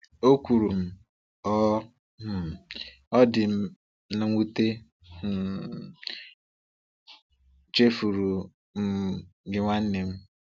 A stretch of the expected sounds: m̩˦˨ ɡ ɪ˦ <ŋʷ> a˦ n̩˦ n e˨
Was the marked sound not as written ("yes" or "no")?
no